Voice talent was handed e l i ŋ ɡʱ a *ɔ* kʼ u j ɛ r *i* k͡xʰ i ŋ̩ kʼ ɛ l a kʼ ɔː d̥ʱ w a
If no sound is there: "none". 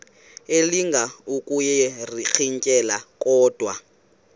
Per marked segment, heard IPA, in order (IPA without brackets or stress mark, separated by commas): u, i